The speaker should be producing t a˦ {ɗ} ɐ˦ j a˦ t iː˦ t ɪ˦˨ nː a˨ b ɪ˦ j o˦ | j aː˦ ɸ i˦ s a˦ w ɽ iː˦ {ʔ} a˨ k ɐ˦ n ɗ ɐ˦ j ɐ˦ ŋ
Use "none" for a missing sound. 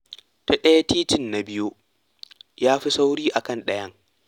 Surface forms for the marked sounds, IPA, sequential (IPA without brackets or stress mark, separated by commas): ɗ, ʔ